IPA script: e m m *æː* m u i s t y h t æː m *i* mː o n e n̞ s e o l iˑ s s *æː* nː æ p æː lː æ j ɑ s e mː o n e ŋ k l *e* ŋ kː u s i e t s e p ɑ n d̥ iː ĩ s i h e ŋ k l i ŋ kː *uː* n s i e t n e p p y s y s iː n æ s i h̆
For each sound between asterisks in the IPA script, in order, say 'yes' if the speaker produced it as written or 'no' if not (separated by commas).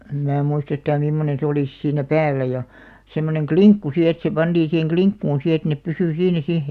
yes, yes, no, no, yes